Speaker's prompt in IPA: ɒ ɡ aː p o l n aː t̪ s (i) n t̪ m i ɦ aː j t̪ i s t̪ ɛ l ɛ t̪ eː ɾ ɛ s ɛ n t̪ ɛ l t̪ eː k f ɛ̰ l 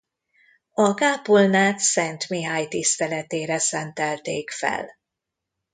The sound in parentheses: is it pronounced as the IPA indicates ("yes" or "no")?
no